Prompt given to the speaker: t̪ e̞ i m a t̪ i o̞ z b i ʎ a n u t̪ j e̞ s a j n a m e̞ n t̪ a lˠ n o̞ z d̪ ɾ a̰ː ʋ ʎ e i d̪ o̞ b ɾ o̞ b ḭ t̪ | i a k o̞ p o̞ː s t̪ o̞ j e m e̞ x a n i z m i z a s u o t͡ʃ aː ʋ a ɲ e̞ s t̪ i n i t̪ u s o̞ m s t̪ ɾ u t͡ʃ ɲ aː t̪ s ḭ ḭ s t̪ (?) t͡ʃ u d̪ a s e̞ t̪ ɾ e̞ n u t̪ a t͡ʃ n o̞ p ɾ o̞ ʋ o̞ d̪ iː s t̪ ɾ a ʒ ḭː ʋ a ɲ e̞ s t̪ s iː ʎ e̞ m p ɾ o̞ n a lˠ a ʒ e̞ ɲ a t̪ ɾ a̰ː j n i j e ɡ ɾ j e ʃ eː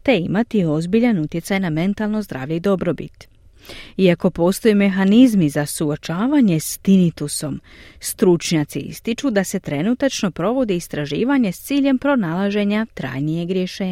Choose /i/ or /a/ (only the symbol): i